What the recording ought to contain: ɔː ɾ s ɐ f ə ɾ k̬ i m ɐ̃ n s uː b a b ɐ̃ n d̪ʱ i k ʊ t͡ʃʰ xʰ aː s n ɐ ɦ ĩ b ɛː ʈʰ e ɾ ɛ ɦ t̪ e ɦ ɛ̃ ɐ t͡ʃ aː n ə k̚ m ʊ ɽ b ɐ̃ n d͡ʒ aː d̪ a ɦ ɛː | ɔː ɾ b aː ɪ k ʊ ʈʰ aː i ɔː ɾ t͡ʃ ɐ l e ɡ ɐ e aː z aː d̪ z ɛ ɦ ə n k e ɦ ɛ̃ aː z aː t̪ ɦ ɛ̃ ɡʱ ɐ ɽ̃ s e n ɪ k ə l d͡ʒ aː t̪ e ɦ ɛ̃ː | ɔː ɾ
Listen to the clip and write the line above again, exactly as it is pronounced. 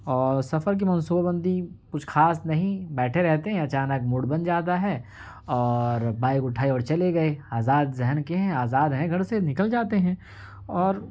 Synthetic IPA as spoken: ɔː ɾ s ɐ f ə ɾ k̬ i m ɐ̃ n s uː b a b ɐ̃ n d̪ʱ i k ʊ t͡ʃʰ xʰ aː s n ɐ ɦ ĩ b ɛː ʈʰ e ɾ ɛ ɦ t̪ e ɦ ɛ̃ ɐ t͡ʃ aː n ə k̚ m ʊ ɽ b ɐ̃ n d͡ʒ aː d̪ a ɦ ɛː | ɔː ɾ b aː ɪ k ʊ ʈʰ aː i ɔː ɾ t͡ʃ ɐ l e ɡ ɐ e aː z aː d̪ z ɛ ɦ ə n k e ɦ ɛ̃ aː z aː d̪ ɦ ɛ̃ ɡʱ ɐ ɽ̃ s e n ɪ k ə l d͡ʒ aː t̪ e ɦ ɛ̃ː | ɔː ɾ